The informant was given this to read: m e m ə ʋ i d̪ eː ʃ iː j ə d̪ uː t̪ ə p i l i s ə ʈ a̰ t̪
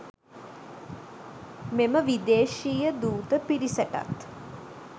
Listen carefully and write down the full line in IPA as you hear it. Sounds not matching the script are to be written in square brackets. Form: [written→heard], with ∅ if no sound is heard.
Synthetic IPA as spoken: m e m ə ʋ i d̪ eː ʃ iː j ə d̪ uː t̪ ə p i [l→ɾ] i s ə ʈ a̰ t̪